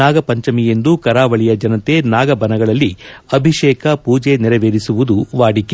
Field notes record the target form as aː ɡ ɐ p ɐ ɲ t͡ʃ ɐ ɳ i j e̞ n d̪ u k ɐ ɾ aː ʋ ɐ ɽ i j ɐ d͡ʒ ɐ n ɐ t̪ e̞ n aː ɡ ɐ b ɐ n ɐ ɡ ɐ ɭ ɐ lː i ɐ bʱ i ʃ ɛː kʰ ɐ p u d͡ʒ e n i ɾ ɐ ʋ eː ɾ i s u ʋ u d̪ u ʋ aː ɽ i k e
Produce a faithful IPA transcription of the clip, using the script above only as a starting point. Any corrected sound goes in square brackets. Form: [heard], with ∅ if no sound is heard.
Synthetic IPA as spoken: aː ɡ ɐ p ɐ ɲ t͡ʃ ɐ [m] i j e̞ n d̪ u k ɐ ɾ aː ʋ ɐ [ɭ] i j ɐ d͡ʒ ɐ n ɐ t̪ e̞ n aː ɡ ɐ b ɐ n ɐ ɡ ɐ ɭ ɐ lː i ɐ bʱ i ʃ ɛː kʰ ɐ p [uː] d͡ʒ e n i ɾ ɐ ʋ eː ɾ i s u ʋ u d̪ u ʋ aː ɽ i k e

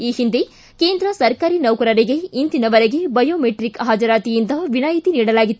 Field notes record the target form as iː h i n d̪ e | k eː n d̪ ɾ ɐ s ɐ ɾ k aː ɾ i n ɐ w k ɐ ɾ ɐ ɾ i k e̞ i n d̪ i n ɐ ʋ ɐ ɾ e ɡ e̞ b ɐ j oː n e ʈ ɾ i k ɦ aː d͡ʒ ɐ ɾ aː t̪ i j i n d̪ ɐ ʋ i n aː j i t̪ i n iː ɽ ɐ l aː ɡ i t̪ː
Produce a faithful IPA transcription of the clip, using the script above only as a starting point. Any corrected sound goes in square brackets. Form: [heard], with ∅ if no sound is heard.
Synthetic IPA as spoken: iː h i n d̪ e | k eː n d̪ ɾ ɐ s ɐ ɾ k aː ɾ i n ɐ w k ɐ ɾ ɐ ɾ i [ɡ] e̞ i n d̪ i n ɐ ʋ ɐ ɾ e ɡ e̞ b ɐ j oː [m] e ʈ ɾ i k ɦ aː d͡ʒ ɐ ɾ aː t̪ i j i n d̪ ɐ ʋ i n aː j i t̪ i n iː ɽ ɐ l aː ɡ i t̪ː

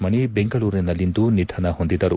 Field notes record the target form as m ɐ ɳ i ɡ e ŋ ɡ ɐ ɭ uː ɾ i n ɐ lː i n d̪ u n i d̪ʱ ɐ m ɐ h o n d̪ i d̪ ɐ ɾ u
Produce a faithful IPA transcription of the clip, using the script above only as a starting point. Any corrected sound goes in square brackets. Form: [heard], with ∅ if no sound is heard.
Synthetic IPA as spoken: m ɐ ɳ i [b] e ŋ ɡ ɐ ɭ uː ɾ i n ɐ lː i n d̪ u n i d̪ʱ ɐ [n] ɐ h o n d̪ i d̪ ɐ ɾ u

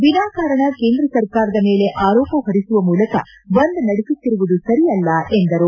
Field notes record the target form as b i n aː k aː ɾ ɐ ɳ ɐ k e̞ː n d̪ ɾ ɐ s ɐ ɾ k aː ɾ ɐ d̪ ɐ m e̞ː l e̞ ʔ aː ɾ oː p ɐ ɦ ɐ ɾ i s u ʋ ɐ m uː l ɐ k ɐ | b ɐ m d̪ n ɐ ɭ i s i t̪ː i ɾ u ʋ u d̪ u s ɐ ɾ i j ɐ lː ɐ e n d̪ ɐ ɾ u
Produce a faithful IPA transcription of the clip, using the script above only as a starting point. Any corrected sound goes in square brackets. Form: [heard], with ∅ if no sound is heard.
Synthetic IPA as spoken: b i n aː k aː ɾ ɐ ɳ ɐ k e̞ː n d̪ ɾ ɐ s ɐ ɾ k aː ɾ ɐ d̪ ɐ m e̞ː l e̞ ʔ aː ɾ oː p ɐ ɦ ɐ ɾ i s u ʋ ɐ m uː l ɐ k ɐ | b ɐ [n] d̪ n ɐ [ɽ] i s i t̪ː i ɾ u ʋ u d̪ u s ɐ ɾ i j ɐ lː ɐ e n d̪ ɐ ɾ u

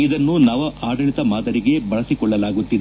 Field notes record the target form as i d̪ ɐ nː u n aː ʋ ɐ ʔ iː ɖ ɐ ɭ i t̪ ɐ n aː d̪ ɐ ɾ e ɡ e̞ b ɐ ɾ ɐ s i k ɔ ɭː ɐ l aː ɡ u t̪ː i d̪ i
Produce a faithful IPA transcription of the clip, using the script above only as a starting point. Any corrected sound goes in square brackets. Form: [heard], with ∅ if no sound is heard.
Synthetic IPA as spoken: i d̪ ɐ nː u n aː ʋ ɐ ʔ [aː] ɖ ɐ ɭ i t̪ ɐ [m] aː d̪ ɐ ɾ [i] ɡ e̞ b ɐ [ɭ] ɐ s i k ɔ ɭː ɐ l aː ɡ u t̪ː i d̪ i

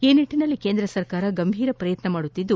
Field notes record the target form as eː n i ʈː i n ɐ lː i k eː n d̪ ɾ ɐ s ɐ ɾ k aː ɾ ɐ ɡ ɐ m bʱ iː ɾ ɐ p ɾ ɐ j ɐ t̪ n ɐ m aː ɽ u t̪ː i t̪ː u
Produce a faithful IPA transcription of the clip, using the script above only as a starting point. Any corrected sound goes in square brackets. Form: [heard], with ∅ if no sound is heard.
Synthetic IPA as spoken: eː n i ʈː i n ɐ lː i k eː n d̪ ɾ ɐ s ɐ ɾ k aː ɾ ɐ ɡ ɐ m bʱ iː ɾ ɐ p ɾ ɐ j ɐ t̪ n ɐ m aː ɽ u t̪ː i [d̪ː] u

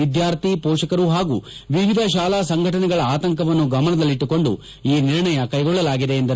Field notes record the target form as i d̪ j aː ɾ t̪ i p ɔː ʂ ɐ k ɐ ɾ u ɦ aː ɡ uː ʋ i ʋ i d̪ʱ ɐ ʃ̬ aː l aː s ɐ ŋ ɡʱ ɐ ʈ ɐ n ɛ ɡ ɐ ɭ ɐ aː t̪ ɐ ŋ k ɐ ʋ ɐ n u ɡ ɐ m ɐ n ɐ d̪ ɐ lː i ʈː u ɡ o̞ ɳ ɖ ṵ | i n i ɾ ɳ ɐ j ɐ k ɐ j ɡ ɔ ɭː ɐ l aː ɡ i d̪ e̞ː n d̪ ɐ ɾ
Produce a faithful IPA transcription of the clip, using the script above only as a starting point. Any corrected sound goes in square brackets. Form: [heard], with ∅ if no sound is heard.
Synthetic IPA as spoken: i d̪ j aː ɾ t̪ i p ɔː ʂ ɐ k ɐ ɾ u ɦ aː ɡ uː ʋ i ʋ i d̪ʱ ɐ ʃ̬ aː l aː s ɐ ŋ ɡʱ ɐ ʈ ɐ n ɛ ɡ ɐ ɭ ɐ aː t̪ ɐ ŋ k ɐ ʋ ɐ [nː] u ɡ ɐ m ɐ n ɐ d̪ ɐ lː i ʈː u [k] o̞ ɳ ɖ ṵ | [iː] n i ɾ ɳ ɐ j ɐ k ɐ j ɡ ɔ ɭː ɐ l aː ɡ i d̪ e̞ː n d̪ ɐ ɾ

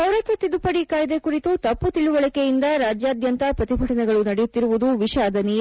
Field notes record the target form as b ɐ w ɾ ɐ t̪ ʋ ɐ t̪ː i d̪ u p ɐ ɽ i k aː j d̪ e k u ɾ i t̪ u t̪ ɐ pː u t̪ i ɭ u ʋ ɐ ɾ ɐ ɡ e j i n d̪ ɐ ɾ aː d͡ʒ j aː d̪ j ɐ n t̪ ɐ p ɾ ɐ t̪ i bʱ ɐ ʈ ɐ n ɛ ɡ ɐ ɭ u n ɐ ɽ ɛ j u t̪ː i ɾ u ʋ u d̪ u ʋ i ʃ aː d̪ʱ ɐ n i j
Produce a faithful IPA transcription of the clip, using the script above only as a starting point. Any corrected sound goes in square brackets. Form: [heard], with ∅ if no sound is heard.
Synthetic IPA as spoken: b ɐ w ɾ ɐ t̪ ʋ ɐ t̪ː i d̪ u p ɐ ɽ i k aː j d̪ e k u ɾ i t̪ u t̪ ɐ pː u t̪ i ɭ u ʋ ɐ [ɭ] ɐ [k] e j i n d̪ ɐ ɾ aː d͡ʒ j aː d̪ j ɐ n t̪ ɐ p ɾ ɐ t̪ i bʱ ɐ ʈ ɐ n ɛ ɡ ɐ ɭ u n ɐ ɽ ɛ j u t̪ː i ɾ u ʋ u d̪ u ʋ i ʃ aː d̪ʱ ɐ n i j

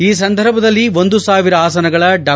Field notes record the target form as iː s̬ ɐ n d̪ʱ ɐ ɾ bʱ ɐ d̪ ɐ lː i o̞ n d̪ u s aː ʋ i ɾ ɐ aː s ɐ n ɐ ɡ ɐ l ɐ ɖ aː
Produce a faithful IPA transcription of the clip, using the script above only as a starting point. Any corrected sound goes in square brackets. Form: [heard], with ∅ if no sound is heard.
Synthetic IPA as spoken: iː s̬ ɐ n d̪ʱ ɐ ɾ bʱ ɐ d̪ ɐ lː i o̞ n d̪ u s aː ʋ i ɾ ɐ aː s ɐ n ɐ ɡ ɐ [ɭ] ɐ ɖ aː

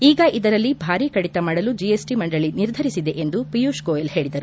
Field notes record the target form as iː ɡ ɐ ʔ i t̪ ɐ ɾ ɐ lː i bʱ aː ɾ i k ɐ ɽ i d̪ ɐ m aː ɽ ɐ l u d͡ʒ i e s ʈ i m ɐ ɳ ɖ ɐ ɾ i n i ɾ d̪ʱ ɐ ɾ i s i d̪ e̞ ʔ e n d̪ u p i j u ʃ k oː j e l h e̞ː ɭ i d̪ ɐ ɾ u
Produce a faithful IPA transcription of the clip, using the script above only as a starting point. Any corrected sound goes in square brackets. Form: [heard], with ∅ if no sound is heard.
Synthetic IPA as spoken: iː ɡ ɐ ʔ i [d̪] ɐ ɾ ɐ lː i bʱ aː ɾ i k ɐ ɽ i [t̪] ɐ m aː ɽ ɐ l u d͡ʒ i e s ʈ i m ɐ ɳ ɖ ɐ [ɭ] i n i ɾ d̪ʱ ɐ ɾ i s i d̪ e̞ ʔ e n d̪ u p i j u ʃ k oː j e l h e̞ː ɭ i d̪ ɐ ɾ u

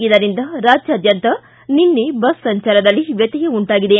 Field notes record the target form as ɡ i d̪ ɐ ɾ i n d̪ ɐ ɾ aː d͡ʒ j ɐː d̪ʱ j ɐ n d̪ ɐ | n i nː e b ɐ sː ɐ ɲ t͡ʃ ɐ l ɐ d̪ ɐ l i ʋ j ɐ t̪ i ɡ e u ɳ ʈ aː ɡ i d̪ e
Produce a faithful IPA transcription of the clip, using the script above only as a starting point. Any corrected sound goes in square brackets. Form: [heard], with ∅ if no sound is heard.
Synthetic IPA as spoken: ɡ i d̪ ɐ ɾ i n d̪ ɐ ɾ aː d͡ʒ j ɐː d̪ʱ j ɐ n [t̪] ɐ | n i nː e b ɐ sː ɐ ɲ t͡ʃ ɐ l ɐ d̪ ɐ [lː] i ʋ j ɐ t̪ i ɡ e u ɳ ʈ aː ɡ i d̪ e

